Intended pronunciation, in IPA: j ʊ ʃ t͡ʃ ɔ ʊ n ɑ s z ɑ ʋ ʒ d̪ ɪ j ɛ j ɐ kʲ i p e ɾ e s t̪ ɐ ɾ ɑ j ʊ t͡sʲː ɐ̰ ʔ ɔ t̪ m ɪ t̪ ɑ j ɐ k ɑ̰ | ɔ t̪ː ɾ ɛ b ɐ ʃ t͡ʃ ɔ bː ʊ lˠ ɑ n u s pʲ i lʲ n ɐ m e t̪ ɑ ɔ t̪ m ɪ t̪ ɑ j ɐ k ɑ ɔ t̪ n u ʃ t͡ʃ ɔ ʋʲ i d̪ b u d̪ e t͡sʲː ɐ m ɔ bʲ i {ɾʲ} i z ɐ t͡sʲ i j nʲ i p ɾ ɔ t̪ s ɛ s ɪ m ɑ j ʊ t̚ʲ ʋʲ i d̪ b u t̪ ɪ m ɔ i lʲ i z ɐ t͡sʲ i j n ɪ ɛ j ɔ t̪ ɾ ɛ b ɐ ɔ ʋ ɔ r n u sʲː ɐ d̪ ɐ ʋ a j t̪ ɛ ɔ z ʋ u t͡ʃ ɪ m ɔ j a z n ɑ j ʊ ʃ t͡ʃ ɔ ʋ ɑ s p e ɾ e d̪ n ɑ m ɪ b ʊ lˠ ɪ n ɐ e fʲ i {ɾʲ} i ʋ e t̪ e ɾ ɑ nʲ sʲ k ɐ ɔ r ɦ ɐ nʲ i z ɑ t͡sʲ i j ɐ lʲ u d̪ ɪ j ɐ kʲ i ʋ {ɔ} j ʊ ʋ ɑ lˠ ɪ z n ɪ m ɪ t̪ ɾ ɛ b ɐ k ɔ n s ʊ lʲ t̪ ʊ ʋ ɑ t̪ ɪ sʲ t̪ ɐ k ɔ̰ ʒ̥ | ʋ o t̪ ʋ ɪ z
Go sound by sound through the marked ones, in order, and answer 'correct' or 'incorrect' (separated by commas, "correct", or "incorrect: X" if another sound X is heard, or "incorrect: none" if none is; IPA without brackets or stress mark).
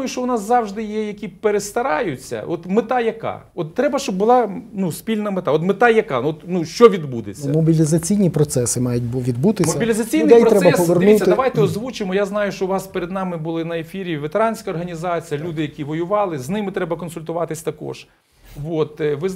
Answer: incorrect: lʲ, correct, correct